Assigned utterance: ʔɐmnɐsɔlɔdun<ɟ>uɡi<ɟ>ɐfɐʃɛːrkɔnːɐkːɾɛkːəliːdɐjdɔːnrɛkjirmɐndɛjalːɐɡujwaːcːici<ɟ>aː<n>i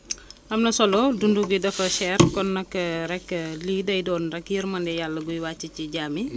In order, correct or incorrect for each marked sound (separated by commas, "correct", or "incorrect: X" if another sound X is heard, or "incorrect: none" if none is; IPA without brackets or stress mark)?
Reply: incorrect: d, incorrect: d, correct, incorrect: m